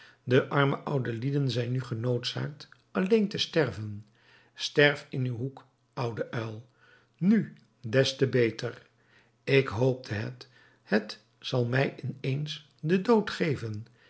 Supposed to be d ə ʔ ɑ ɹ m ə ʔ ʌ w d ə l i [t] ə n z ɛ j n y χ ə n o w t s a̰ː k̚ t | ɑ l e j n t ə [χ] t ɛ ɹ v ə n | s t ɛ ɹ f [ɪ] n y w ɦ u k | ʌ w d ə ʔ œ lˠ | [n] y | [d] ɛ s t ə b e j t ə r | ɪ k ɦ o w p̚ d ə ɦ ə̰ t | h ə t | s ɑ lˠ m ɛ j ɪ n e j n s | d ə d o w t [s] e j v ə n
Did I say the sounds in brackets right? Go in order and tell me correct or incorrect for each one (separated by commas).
incorrect, incorrect, correct, correct, correct, incorrect